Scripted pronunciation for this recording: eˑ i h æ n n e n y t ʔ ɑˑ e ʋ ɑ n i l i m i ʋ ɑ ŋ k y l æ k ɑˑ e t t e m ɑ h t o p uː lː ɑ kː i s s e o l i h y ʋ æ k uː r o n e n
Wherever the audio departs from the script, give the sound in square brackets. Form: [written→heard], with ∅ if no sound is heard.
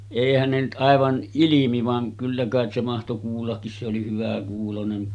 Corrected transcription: eˑ i h æ n n e n y t ʔ ɑˑ e ʋ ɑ n i l i m i ʋ ɑ ŋ k y [l→lː] æ k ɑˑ e t [t→s] e m ɑ h t o [p→k] uː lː ɑ kː i s s e o l i h y ʋ æ k uː [r→l] o n e n